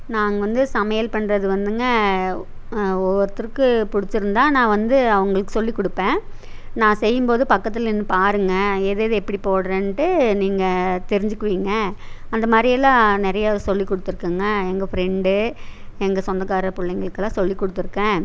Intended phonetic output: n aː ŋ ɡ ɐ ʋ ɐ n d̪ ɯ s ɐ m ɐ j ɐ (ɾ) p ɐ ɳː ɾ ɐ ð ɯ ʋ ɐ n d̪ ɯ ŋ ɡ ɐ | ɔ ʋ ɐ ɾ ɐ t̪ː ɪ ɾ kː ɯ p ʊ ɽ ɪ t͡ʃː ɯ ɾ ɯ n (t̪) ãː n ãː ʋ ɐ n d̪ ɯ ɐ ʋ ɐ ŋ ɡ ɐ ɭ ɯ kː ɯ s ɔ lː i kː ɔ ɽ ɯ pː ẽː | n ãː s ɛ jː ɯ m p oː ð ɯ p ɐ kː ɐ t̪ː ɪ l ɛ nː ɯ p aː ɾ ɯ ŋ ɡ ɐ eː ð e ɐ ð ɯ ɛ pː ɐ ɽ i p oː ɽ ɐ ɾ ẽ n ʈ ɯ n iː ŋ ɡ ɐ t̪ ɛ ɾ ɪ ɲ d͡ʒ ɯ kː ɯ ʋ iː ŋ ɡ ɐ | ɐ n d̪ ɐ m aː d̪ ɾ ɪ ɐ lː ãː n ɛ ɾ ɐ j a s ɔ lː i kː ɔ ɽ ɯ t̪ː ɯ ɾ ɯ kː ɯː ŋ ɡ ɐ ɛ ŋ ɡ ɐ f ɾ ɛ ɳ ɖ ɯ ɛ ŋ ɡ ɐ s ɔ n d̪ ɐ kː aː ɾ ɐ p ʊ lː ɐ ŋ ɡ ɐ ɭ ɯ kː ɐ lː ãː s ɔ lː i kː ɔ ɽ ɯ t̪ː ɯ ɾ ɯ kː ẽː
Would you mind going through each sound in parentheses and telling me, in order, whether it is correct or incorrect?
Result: incorrect: l, incorrect: d̪

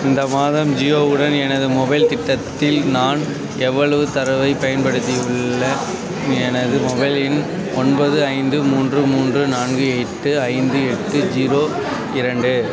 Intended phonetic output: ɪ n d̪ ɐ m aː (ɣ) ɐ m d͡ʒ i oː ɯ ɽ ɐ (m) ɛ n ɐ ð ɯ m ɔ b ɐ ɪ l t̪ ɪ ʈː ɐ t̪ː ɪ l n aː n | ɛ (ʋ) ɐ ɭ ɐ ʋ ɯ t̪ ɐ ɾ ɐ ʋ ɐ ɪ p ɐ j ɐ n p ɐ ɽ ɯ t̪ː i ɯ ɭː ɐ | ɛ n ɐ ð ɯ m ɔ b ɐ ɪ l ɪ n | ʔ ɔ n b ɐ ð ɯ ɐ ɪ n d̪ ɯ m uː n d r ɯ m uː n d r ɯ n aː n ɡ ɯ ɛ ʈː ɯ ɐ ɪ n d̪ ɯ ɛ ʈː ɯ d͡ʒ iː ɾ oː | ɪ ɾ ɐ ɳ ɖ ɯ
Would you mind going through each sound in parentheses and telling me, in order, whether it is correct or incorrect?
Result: incorrect: ð, incorrect: n, incorrect: ʋː

